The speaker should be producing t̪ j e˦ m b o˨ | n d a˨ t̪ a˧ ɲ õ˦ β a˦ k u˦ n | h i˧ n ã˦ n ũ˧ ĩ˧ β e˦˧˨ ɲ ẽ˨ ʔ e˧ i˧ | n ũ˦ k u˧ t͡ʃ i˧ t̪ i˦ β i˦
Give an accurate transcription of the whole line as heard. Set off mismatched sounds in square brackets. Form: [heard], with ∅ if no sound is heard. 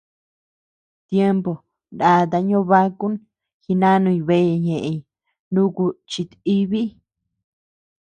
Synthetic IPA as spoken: t̪ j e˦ m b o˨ | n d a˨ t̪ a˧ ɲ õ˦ β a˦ k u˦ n | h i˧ n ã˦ n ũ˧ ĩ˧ β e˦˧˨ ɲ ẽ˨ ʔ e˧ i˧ | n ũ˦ k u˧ t͡ʃ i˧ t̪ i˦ β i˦